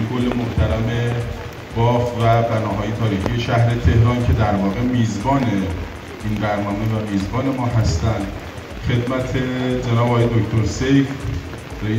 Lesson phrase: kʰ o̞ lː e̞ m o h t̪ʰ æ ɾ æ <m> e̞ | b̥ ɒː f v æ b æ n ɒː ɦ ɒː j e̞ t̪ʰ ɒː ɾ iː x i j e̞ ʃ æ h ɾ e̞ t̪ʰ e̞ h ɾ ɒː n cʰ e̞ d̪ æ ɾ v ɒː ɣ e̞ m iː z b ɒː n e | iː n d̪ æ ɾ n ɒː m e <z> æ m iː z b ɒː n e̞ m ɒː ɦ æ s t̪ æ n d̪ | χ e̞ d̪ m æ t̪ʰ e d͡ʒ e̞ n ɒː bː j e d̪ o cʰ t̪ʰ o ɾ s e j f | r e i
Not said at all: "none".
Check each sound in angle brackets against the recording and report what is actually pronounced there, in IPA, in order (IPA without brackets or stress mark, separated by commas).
m, v